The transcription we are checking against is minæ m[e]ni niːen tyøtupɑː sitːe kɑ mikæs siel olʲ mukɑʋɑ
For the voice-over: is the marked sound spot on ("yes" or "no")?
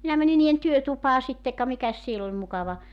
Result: no